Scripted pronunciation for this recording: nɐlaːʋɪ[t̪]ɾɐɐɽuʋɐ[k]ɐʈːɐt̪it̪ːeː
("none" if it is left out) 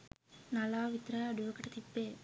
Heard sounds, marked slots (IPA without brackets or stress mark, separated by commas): t̪, k